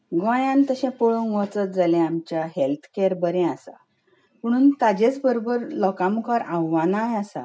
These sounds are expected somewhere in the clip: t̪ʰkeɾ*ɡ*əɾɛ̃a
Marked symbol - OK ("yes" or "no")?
no